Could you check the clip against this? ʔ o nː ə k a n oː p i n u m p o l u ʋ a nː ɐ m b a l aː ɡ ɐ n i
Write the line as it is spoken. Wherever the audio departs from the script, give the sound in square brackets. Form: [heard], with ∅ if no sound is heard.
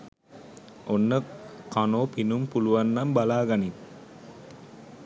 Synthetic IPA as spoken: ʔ o nː ə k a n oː p i n u m p [u] l u ʋ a nː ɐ m b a l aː ɡ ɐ n i

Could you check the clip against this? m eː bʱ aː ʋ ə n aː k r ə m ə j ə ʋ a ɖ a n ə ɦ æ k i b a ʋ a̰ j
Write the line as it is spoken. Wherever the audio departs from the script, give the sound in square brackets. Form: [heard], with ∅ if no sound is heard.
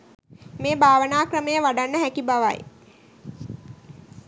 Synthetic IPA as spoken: m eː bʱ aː ʋ ə n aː k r ə m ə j ə ʋ a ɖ a [nː] ə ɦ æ k i b a ʋ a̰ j

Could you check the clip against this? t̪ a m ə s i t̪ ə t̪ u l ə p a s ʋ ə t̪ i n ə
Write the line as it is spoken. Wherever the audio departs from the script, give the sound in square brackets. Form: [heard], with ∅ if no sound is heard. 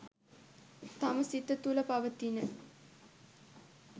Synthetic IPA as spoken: t̪ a m ə s i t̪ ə t̪ u l ə p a [∅] ʋ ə t̪ i n ə

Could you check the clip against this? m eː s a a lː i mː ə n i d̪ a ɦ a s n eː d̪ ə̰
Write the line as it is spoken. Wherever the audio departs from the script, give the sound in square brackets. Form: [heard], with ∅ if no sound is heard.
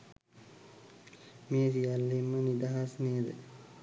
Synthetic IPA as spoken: m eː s [i] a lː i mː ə n i d̪ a ɦ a s n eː d̪ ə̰

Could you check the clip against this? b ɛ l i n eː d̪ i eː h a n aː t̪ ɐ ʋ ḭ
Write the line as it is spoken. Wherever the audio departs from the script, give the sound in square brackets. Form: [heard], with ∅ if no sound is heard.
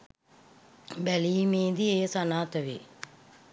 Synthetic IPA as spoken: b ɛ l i [m] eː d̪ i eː [s] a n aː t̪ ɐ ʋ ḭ

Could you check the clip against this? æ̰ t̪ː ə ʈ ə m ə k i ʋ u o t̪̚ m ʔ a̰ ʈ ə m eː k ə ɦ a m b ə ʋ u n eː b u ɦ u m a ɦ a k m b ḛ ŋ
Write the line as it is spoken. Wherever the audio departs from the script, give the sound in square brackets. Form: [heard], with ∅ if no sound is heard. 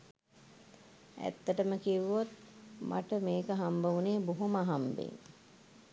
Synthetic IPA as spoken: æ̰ t̪ː ə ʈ ə m ə k i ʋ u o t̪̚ m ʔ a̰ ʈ ə m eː k ə ɦ a m b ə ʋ u n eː b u ɦ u m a ɦ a [∅] m b ḛ ŋ

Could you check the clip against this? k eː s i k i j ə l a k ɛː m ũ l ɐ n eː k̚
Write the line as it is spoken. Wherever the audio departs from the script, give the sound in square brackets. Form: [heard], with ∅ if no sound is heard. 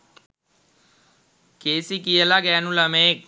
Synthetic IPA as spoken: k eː s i k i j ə l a [ɡ] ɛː [n] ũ l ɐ [m] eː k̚

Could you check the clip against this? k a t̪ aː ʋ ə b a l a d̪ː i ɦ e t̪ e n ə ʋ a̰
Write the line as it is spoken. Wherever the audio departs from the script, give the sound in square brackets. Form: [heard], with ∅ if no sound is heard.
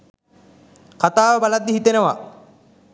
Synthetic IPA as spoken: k a t̪ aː ʋ ə b a l a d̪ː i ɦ [i] t̪ e n ə ʋ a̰

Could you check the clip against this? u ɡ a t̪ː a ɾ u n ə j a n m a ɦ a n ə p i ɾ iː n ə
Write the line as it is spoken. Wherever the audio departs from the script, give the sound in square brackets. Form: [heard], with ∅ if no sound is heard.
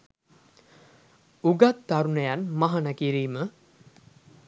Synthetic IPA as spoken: u ɡ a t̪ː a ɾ u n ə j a n m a ɦ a n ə [k] i ɾ iː [m] ə

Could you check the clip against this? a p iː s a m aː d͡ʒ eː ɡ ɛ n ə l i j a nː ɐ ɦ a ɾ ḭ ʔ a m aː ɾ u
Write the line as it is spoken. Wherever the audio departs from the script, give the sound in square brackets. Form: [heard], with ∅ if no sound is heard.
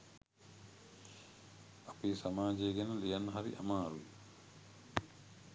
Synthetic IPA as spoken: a p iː s a m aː d͡ʒ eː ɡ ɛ n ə l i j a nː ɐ ɦ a ɾ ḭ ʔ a m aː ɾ u

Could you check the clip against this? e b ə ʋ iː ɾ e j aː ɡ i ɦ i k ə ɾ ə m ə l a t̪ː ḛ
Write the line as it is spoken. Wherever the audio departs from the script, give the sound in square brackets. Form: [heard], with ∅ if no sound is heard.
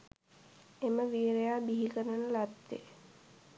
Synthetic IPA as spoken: e [m] ə ʋ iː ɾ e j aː [b] i ɦ i k ə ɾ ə [n] ə l a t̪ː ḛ

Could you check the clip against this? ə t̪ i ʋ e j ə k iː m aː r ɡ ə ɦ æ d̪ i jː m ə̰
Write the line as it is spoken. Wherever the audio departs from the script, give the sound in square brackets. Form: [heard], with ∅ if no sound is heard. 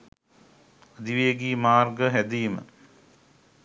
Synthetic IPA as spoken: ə [d̪] i ʋ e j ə [ɡ] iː m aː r ɡ ə ɦ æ d̪ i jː m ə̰

